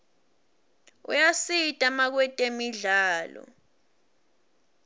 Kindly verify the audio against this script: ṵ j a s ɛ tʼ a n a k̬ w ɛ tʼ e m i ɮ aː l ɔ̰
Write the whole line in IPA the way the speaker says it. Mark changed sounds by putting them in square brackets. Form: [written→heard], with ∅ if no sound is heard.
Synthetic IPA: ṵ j a s [ɛ→i] tʼ a [n→m] a k̬ w ɛ tʼ e m i ɮ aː l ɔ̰